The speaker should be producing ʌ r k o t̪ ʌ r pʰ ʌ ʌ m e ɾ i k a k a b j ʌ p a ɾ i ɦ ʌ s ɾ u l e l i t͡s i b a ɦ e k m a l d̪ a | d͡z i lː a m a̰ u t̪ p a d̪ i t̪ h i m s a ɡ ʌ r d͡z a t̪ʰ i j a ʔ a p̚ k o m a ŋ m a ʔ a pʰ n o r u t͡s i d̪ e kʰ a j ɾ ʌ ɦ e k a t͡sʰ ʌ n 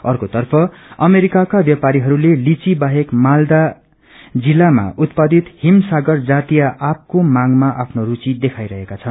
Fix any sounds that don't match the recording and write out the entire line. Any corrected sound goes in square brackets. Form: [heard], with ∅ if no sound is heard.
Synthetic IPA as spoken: ʌ r k o t̪ ʌ r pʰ ʌ ʌ m e ɾ i k a k a b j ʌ p a ɾ i ɦ ʌ [∅] ɾ u l e l i t͡s i b a ɦ e k m a l d̪ a | d͡z i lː a m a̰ u t̪ p a d̪ i t̪ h i m s a ɡ ʌ r d͡z a [t̪] i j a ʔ a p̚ k o m a ŋ m a ʔ a pʰ n o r u t͡s i d̪ e kʰ a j ɾ ʌ ɦ e k a t͡sʰ ʌ n